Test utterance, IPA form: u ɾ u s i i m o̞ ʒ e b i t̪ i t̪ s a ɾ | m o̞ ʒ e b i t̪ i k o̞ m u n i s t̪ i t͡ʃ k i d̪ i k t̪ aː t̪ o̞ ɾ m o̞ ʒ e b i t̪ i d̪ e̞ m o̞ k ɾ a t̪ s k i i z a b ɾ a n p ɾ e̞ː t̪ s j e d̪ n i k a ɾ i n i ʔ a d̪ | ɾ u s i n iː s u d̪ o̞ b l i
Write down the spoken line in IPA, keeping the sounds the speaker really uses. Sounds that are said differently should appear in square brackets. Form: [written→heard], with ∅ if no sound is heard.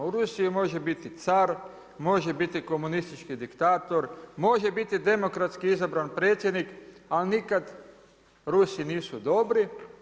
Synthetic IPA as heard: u ɾ u s i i m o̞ ʒ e b i t̪ i t̪ s a ɾ | m o̞ ʒ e b i t̪ i k o̞ m u n i s t̪ i t͡ʃ k i d̪ i k t̪ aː t̪ o̞ ɾ m o̞ ʒ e b i t̪ i d̪ e̞ m o̞ k ɾ a t̪ s k i i z a b ɾ a n p ɾ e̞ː t̪ s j e d̪ n i k a [ɾ→l] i n i [ʔ→k] a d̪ | ɾ u s i n iː s u d̪ o̞ b [l→ɾ] i

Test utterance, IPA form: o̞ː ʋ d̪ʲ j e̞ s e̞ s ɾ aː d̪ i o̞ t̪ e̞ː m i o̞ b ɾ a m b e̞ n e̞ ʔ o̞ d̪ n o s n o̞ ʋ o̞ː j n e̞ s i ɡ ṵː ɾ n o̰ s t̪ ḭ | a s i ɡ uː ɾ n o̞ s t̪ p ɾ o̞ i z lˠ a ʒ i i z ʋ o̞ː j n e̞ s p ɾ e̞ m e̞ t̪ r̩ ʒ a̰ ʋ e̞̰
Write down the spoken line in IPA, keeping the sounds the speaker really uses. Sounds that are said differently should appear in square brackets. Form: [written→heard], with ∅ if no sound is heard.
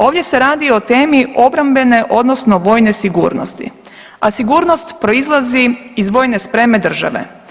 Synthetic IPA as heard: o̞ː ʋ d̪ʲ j e̞ s e̞ [s→∅] ɾ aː d̪ i o̞ t̪ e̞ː m i o̞ b ɾ a m b e̞ n e̞ ʔ o̞ d̪ n o s n o̞ ʋ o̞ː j n e̞ s i ɡ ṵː ɾ n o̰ s t̪ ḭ | a s i ɡ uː ɾ n o̞ s t̪ p ɾ o̞ i z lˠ a [ʒ→z] i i z ʋ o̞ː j n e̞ s p ɾ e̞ m e̞ [t̪→d̪] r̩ ʒ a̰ ʋ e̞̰

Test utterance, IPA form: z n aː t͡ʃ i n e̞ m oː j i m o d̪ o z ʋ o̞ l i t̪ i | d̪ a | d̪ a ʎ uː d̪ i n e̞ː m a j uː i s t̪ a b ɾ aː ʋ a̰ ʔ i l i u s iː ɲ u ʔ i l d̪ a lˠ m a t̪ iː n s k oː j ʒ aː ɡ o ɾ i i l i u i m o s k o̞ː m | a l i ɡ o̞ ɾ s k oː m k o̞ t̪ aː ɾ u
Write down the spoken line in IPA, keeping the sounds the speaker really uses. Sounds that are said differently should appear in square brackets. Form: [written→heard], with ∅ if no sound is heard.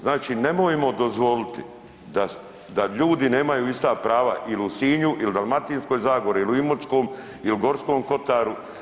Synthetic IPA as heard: z n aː t͡ʃ i n e̞ m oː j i m o d̪ o z ʋ o̞ l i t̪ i | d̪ a | d̪ a ʎ uː d̪ i n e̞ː m a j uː i s t̪ a [b→p] ɾ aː ʋ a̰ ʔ i l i u s iː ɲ u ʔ i l d̪ a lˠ m a t̪ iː n s k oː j [ʒ→z] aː ɡ o ɾ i i l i u i m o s k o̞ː m | [a→i] l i ɡ o̞ ɾ s k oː m k o̞ t̪ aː ɾ u

